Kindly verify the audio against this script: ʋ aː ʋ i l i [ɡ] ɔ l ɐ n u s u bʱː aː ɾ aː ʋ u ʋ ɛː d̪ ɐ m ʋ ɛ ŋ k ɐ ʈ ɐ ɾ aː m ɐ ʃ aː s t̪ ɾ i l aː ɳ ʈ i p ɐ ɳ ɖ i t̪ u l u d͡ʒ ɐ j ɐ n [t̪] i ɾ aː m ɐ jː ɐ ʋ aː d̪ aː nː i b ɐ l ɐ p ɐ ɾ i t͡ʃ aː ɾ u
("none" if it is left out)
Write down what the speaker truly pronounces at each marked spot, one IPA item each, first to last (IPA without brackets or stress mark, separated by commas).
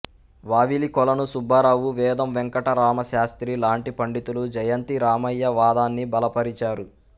k, t̪